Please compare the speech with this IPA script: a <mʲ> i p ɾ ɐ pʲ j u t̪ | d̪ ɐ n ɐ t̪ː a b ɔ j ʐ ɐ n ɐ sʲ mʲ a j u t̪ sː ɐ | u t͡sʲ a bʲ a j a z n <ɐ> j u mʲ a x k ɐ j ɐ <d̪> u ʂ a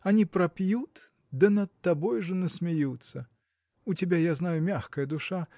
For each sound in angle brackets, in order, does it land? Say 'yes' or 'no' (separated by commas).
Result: no, no, yes